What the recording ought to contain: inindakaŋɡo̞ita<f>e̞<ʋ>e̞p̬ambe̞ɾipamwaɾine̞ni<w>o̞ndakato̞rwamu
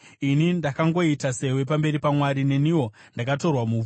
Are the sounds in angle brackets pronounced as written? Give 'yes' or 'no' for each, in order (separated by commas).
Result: no, no, yes